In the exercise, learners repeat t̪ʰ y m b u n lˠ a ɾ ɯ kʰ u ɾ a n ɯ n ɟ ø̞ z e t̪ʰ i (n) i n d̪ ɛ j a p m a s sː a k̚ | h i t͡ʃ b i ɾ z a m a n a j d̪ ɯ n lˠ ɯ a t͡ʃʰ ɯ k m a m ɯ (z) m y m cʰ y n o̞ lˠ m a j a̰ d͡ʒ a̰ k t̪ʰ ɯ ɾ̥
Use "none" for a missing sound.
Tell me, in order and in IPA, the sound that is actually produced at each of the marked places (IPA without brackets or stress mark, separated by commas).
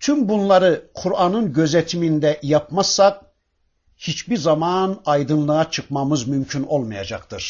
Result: m, z